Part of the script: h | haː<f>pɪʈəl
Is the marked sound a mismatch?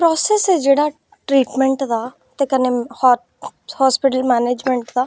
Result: yes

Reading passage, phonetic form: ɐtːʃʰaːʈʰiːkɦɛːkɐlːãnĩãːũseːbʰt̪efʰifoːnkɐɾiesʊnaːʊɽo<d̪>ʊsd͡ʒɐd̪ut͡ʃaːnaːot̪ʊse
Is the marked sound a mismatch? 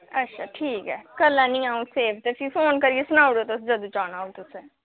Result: yes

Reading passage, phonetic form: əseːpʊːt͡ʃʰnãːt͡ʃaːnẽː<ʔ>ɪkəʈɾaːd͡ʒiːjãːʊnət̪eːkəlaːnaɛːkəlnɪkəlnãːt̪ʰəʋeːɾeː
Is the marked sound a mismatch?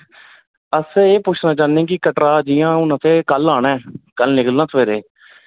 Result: yes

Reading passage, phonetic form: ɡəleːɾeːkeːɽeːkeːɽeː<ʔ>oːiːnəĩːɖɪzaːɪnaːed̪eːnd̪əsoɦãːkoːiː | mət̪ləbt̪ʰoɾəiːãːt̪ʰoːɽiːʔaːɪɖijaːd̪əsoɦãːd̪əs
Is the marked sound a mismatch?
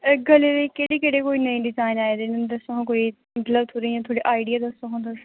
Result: yes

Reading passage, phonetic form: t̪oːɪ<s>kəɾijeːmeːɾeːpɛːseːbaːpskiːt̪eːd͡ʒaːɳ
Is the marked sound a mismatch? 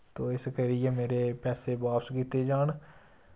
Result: no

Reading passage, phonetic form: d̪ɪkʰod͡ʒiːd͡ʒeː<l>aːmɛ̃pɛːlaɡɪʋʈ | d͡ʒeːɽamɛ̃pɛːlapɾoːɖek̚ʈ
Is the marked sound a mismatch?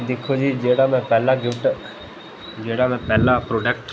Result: yes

